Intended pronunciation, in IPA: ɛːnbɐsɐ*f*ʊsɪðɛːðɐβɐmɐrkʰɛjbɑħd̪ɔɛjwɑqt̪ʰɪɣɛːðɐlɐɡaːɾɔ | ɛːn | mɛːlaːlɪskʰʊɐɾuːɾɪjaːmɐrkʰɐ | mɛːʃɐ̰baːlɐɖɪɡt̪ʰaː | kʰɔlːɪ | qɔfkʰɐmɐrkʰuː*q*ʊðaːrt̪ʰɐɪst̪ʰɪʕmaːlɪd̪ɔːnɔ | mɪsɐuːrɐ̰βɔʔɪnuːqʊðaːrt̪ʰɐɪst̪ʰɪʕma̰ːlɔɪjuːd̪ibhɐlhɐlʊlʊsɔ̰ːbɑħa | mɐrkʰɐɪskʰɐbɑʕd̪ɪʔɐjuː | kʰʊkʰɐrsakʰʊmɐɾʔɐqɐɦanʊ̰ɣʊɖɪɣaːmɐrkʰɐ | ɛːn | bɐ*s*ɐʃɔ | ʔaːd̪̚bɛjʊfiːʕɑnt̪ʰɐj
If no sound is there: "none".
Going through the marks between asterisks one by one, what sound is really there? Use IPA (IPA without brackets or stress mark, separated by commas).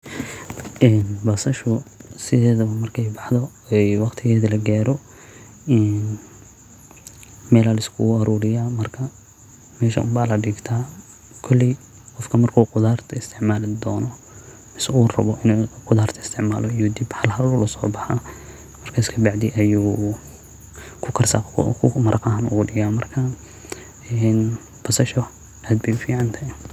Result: ʃ, q, s